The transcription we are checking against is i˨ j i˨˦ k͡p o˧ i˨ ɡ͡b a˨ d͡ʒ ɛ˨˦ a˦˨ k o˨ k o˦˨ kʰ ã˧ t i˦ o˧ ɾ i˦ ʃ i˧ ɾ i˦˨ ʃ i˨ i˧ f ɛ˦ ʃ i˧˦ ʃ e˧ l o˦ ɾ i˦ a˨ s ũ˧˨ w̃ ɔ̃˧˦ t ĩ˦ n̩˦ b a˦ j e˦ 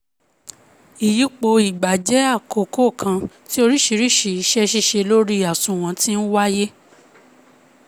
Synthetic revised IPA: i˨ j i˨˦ k͡p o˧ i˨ ɡ͡b a˨ d͡ʒ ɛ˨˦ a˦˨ k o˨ k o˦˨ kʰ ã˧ t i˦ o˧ ɾ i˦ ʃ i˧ ɾ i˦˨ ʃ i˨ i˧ ʃ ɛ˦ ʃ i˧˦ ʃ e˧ l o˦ ɾ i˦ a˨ s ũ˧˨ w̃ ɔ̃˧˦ t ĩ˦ n̩˦ w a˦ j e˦